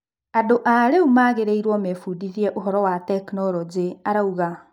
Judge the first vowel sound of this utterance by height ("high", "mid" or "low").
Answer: low